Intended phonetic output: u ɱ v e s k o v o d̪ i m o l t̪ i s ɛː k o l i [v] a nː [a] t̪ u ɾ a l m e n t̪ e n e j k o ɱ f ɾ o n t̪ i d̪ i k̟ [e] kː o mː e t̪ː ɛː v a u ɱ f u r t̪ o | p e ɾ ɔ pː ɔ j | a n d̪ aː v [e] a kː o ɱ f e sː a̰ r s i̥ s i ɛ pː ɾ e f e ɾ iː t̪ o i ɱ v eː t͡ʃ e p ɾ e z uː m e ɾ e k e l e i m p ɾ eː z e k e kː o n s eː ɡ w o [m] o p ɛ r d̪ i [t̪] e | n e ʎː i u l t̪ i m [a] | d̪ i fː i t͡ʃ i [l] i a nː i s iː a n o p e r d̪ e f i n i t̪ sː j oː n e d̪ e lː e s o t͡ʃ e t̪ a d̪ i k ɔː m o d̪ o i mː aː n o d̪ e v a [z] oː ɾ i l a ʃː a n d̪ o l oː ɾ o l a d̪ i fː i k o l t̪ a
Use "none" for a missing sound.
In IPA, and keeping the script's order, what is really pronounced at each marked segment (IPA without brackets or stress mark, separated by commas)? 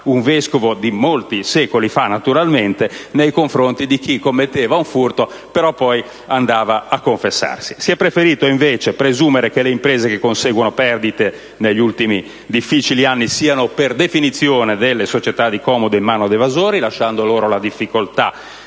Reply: f, a, i, a, n, t̪, i, l, z